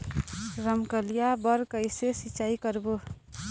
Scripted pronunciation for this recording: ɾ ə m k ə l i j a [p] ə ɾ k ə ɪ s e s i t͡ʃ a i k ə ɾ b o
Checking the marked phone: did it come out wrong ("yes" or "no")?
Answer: yes